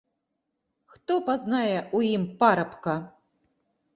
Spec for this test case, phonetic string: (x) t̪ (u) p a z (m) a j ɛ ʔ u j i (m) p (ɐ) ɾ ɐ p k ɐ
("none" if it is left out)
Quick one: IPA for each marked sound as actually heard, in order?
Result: x, ɔ, n, m, a

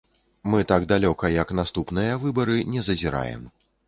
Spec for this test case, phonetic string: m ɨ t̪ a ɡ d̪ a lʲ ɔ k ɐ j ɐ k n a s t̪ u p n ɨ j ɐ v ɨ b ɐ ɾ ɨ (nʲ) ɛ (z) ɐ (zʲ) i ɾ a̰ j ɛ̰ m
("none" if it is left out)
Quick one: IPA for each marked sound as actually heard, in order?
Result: nʲ, z, zʲ

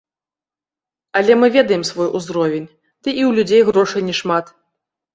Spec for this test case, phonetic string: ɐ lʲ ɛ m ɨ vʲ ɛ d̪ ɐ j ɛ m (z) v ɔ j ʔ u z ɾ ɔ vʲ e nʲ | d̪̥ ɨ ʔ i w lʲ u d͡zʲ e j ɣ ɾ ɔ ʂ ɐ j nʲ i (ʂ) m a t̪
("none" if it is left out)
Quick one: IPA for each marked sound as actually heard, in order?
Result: s, ʂ

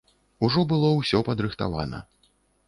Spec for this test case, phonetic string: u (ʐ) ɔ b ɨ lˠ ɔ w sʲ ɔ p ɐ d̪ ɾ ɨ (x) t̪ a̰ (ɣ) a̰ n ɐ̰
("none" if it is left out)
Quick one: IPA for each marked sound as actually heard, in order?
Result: ʐ, x, v

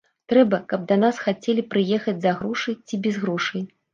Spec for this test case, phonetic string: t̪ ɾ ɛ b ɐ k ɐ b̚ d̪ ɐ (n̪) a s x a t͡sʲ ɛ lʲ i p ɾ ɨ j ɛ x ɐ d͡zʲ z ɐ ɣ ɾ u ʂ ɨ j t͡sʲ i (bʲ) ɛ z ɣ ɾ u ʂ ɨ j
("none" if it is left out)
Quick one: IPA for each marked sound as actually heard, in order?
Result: n̪, bʲ

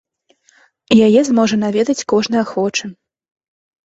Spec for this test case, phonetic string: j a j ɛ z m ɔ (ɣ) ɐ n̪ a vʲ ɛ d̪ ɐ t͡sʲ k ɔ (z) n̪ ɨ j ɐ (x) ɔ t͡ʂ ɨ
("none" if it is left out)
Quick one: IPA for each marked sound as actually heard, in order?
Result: ʐ, ʐ, x

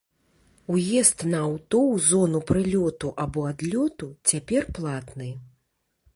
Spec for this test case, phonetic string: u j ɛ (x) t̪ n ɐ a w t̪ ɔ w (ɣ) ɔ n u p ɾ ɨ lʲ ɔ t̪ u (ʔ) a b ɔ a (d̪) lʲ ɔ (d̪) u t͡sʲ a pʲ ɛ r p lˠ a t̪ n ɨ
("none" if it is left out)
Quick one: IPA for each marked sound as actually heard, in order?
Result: s, z, ʔ, d̪, t̪

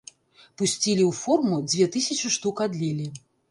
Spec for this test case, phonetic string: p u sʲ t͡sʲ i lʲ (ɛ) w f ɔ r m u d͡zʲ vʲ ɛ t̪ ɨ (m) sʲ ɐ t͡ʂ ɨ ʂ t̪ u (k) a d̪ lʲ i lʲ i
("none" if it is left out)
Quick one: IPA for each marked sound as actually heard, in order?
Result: i, none, k

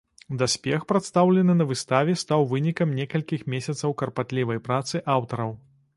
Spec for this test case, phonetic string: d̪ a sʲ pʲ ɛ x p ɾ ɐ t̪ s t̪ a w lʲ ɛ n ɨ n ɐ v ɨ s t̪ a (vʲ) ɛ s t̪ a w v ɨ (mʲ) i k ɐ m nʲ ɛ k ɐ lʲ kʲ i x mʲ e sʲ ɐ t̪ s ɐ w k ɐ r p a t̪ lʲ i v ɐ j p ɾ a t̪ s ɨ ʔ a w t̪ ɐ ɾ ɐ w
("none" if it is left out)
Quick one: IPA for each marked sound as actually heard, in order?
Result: vʲ, nʲ

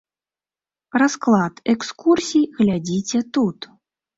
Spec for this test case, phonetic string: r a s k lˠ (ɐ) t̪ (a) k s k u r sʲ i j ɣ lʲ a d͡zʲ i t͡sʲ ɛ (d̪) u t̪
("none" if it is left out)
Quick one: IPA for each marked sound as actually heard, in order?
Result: a, ɛ, t̪

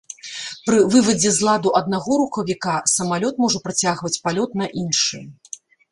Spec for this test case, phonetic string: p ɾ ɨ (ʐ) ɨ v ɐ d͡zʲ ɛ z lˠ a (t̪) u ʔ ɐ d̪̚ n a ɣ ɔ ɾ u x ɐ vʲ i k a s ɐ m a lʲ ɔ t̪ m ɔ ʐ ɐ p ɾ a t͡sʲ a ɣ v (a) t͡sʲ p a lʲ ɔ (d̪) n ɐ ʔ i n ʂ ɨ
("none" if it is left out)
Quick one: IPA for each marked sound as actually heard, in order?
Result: v, d̪, ɐ, t̪

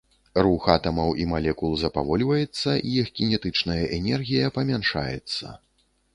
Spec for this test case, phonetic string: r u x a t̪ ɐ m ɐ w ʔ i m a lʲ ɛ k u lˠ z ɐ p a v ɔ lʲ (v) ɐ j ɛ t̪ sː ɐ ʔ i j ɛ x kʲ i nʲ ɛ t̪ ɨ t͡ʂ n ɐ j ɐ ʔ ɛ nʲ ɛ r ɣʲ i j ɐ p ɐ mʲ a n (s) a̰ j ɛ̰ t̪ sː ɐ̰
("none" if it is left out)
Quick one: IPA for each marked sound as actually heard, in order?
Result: v, ʂ

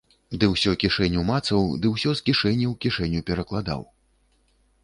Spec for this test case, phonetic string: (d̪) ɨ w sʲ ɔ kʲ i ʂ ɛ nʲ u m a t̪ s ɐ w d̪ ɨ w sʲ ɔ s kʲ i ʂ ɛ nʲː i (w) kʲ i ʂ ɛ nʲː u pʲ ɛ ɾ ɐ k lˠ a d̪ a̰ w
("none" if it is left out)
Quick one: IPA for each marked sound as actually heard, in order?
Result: d̪, w

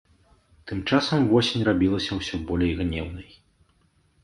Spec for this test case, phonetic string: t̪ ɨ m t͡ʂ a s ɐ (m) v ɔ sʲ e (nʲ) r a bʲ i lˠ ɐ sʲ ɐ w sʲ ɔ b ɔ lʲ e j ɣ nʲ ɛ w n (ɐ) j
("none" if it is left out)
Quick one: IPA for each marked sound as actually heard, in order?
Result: m, nʲ, ɐ

